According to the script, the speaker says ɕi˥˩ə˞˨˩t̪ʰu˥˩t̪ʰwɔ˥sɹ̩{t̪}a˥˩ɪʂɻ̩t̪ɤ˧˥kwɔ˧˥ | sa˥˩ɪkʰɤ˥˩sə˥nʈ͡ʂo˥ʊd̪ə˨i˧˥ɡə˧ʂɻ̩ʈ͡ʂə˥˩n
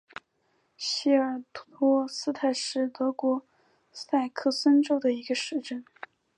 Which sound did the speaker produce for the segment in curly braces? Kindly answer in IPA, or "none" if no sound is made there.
t̪ʰ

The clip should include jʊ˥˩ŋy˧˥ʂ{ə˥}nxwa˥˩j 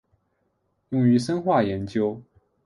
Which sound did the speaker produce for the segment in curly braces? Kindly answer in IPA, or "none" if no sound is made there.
ə˥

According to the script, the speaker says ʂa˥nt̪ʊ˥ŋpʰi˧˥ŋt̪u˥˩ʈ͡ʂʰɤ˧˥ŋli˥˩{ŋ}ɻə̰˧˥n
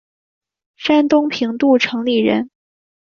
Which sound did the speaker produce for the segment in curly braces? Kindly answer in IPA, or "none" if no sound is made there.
none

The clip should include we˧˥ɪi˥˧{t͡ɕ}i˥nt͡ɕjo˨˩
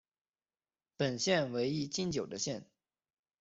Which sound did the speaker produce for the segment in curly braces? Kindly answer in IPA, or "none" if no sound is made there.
t͡ɕ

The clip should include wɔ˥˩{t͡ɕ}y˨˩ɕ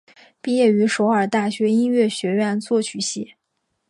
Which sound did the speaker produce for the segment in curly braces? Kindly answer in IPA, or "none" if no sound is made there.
t͡ɕʰ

